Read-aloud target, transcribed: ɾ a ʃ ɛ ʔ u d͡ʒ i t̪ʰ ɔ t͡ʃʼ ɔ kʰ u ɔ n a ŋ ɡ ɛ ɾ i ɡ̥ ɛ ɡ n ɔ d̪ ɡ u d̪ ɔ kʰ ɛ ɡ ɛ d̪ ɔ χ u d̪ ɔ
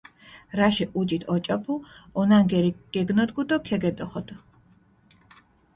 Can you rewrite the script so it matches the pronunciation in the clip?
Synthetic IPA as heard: ɾ a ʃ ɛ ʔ u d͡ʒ i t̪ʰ ɔ t͡ʃʼ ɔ pʰ u ɔ n a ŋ ɡ ɛ ɾ i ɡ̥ ɛ ɡ n ɔ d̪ ɡ u d̪ ɔ kʰ ɛ ɡ ɛ d̪ ɔ χ ɔ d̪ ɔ